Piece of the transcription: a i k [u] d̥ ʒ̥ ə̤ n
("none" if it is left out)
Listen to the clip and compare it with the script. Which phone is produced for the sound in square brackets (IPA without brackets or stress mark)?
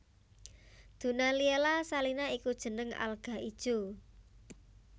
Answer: u